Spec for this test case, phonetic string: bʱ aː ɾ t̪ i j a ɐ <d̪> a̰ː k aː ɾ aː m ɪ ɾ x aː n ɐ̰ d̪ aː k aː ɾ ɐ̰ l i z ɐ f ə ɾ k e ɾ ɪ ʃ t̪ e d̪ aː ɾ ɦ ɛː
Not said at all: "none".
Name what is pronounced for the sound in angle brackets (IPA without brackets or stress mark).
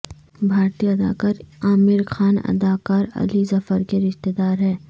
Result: d̪